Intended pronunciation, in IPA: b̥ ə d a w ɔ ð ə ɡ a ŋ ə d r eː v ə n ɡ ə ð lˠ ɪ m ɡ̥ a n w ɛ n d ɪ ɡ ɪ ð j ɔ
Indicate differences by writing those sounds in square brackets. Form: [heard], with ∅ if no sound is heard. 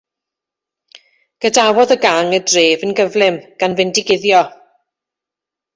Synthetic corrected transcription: [ɡ̥] ə d a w ɔ ð ə ɡ a ŋ ə d r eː v ə n ɡ ə [v] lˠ ɪ m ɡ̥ a n [v] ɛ n d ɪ ɡ ɪ ð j ɔ